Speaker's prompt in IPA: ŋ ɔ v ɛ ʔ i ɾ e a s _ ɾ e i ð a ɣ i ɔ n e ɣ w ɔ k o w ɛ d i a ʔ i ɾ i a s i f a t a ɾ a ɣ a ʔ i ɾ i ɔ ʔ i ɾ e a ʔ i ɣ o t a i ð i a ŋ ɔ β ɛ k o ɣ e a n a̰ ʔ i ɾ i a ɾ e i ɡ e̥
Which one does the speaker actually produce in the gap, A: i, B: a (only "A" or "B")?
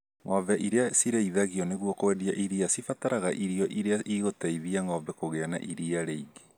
A